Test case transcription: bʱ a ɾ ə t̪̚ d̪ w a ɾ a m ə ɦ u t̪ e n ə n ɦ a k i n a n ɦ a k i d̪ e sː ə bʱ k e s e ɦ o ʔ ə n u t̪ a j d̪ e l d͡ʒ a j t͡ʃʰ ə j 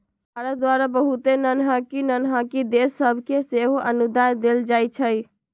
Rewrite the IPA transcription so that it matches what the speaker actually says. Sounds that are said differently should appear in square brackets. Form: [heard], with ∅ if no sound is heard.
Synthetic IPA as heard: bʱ a ɾ ə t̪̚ d̪ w a ɾ a [b] ə ɦ u t̪ e n ə n ɦ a k i n [ə] n ɦ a k i d̪ e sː ə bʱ k e s e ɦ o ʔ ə n u [d̪] a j d̪ e l d͡ʒ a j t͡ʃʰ ə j